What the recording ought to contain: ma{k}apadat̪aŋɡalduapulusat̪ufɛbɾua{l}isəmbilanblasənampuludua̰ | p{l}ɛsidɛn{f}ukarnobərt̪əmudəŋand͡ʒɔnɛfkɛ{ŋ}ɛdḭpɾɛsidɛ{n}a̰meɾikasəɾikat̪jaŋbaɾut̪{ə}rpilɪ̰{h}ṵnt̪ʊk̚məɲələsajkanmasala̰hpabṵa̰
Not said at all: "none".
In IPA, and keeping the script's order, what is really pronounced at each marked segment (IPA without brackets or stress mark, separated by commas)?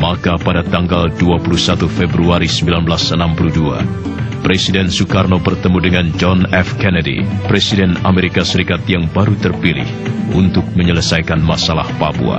k, ɾ, ɾ, s, n, n, ə, h